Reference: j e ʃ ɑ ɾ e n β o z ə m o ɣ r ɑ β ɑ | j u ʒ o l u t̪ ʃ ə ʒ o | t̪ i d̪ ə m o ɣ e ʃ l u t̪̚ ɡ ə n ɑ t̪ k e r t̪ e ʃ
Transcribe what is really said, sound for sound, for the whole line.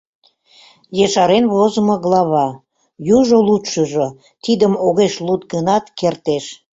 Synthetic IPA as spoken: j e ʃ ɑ ɾ e n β o z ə m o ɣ l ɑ β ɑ | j u ʒ o l u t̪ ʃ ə ʒ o | t̪ i d̪ ə m o ɣ e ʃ l u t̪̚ ɡ ə n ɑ t̪ k e r t̪ e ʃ